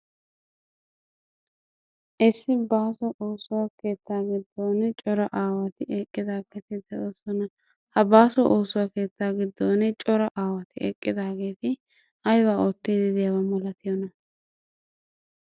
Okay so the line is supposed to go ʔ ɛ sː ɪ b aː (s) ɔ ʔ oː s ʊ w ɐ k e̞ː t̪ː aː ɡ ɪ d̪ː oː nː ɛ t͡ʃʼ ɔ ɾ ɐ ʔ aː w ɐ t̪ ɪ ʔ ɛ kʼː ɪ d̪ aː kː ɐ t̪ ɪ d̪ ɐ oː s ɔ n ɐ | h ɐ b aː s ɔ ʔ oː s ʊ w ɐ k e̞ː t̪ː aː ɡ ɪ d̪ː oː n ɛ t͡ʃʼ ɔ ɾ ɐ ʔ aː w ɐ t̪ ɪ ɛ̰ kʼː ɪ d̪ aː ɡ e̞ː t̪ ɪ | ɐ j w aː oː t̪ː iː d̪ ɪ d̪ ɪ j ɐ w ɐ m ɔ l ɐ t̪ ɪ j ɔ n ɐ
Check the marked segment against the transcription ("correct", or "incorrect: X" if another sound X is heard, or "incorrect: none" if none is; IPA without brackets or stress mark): correct